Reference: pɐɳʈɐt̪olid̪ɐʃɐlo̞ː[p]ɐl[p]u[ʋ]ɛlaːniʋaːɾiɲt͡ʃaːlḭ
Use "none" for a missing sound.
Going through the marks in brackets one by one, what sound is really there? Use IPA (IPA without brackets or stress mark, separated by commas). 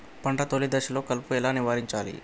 k, p, none